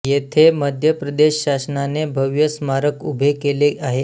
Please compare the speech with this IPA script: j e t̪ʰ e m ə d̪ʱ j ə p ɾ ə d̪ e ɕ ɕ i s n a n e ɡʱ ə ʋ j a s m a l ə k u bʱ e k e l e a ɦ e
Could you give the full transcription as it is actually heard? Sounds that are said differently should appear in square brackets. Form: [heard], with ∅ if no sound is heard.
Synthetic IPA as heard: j e t̪ʰ e m ə d̪ʱ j ə p ɾ ə d̪ e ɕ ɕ [a] s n a n e [bʱ] ə ʋ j [ə] s m a [ɾ] ə k u bʱ e k e l e a ɦ e